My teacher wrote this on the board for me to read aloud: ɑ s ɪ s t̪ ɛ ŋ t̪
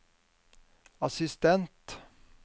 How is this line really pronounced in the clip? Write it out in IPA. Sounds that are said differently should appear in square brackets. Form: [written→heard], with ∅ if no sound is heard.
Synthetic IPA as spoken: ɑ s ɪ s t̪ ɛ [ŋ→n] t̪